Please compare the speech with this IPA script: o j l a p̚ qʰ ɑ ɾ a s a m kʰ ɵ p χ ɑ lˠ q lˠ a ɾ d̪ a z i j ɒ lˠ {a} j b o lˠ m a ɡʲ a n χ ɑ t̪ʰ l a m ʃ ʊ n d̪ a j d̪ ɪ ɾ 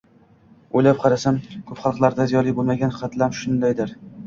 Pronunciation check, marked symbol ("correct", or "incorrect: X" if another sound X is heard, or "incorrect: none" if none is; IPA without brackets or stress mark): incorrect: i